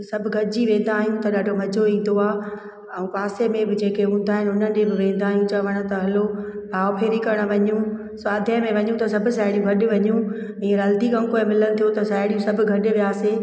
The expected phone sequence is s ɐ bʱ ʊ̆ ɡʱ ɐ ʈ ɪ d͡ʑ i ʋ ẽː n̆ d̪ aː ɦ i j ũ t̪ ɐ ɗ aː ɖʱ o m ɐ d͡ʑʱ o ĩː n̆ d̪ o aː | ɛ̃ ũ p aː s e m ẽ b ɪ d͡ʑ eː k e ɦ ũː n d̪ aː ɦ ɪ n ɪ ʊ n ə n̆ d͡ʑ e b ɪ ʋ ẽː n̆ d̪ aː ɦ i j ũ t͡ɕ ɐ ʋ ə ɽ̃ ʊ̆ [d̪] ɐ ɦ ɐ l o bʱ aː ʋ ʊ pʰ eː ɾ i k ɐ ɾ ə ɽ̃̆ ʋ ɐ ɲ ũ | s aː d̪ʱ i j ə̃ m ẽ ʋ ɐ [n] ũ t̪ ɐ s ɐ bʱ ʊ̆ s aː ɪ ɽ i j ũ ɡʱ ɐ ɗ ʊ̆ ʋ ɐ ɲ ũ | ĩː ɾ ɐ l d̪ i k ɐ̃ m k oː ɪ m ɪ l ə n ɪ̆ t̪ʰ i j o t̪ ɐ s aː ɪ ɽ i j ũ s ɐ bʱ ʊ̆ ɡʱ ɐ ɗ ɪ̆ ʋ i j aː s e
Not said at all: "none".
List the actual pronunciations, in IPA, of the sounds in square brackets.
t̪, ɲ

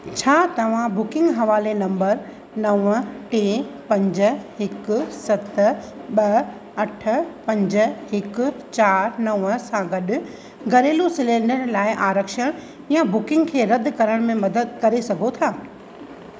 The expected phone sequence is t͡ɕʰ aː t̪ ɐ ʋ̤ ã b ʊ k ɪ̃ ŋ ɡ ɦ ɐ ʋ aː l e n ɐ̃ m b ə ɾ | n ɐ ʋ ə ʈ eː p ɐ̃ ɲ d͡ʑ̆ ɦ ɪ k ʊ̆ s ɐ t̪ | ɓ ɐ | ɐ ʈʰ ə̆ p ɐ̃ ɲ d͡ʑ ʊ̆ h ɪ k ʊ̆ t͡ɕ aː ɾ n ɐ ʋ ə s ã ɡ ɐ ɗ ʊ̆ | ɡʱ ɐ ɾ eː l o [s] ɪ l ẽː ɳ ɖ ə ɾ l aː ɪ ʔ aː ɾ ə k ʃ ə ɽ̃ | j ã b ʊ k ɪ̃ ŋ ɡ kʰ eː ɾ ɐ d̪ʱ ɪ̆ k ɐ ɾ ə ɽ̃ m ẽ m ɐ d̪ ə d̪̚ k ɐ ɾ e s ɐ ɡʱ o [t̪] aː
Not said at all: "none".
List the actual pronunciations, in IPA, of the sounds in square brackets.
s, t̪ʰ

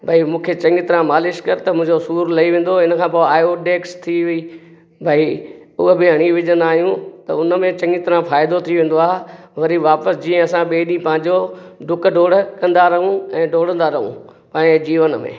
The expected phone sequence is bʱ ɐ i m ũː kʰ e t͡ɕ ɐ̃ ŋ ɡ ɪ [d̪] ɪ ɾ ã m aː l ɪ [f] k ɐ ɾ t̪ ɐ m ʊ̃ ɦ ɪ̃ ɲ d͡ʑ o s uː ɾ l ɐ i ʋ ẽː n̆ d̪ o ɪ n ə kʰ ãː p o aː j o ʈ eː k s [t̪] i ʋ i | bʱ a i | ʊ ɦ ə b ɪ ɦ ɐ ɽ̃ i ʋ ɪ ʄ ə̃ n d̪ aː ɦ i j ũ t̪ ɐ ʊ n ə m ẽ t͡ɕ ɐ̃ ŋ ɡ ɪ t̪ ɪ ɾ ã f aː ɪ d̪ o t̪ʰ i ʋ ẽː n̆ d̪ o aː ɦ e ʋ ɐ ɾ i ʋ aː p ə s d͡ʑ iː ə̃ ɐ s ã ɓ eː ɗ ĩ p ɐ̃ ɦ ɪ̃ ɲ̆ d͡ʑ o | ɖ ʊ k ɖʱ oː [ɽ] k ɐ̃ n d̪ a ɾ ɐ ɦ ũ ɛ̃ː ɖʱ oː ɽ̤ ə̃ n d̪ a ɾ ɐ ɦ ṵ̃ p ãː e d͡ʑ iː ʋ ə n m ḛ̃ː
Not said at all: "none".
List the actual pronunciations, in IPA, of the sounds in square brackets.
t̪, ʃ, t̪ʰ, ɽ

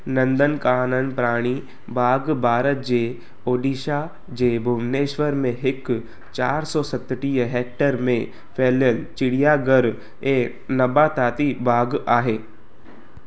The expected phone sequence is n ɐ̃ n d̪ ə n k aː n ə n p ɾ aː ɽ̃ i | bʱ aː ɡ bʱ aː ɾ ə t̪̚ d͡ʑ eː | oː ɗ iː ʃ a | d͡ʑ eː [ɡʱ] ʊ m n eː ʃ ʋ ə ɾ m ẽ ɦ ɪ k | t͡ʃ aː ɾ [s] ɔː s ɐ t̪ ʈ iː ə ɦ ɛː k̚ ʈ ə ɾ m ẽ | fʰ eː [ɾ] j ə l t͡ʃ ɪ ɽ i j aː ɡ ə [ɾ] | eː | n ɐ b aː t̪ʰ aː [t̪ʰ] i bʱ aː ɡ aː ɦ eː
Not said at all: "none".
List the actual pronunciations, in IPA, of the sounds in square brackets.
bʱ, s, l, ɾ, t̪

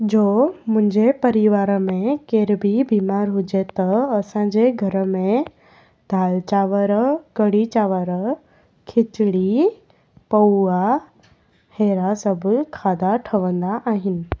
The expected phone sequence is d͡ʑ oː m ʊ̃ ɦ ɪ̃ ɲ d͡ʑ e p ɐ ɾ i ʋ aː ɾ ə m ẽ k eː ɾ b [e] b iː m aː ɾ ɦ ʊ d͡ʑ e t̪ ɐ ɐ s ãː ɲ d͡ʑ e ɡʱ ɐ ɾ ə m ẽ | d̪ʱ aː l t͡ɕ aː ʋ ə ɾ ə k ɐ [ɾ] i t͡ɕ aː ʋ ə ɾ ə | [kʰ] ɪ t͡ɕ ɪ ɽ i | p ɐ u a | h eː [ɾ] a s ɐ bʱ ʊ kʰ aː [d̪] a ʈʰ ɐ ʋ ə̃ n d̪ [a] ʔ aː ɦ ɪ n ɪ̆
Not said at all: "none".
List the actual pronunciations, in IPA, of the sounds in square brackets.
i, ɽ, kʰ, ɾ, d̪, a

